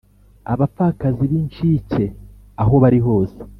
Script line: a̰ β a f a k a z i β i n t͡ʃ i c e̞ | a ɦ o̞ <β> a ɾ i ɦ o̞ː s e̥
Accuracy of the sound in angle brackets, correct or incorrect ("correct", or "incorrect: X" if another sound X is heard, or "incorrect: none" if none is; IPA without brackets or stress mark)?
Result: correct